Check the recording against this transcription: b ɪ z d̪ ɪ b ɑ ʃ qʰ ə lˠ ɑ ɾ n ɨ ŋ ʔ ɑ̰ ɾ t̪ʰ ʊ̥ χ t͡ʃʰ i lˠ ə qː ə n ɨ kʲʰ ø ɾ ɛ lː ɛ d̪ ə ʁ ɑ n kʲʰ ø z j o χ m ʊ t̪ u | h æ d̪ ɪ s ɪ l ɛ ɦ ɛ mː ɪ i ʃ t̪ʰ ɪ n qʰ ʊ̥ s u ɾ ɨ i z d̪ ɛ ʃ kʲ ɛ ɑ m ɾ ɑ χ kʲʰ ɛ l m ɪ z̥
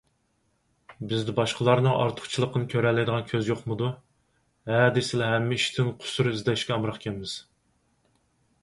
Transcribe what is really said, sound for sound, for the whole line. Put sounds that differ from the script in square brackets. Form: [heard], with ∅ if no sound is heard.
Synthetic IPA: b ɪ z d̪ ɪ b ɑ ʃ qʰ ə lˠ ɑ ɾ n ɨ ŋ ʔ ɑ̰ ɾ t̪ʰ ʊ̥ χ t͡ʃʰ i lˠ ə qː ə n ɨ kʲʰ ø ɾ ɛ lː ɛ d̪ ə ʁ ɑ n kʲʰ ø z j o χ m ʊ [d̪] u | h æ d̪ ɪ s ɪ l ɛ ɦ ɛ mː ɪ i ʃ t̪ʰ ɪ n qʰ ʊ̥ s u ɾ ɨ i z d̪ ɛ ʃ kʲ ɛ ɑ m ɾ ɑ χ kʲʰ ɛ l m ɪ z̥